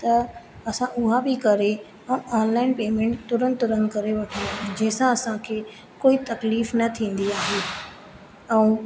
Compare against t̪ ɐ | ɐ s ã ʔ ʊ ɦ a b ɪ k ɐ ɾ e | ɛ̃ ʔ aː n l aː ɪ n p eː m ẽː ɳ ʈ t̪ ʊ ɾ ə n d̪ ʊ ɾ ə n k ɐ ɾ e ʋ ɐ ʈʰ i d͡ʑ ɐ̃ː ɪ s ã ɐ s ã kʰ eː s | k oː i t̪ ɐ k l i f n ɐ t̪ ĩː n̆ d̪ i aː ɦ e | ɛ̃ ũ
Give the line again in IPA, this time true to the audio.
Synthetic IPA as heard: t̪ ɐ | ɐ s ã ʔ ʊ ɦ a b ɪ k ɐ ɾ e | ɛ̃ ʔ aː n l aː ɪ n p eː m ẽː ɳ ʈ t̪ ʊ ɾ ə n t̪ ʊ ɾ ə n k ɐ ɾ e ʋ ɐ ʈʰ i d͡ʑ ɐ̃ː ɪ s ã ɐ s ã kʰ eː | k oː i t̪ ɐ k l iː f n ɐ t̪ʰ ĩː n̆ d̪ i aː ɦ e | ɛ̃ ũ